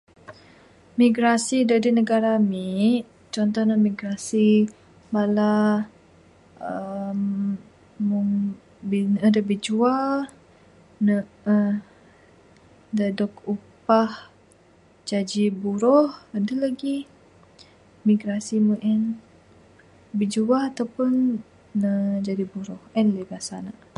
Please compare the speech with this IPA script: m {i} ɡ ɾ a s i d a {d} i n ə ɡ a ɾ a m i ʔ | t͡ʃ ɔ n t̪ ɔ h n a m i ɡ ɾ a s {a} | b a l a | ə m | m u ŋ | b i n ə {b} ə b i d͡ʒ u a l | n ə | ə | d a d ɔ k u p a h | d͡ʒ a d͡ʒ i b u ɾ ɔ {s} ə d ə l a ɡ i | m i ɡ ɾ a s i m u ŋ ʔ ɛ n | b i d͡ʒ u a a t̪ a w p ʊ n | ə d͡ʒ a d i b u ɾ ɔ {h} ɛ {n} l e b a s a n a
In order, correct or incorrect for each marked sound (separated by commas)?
correct, correct, incorrect, incorrect, incorrect, correct, correct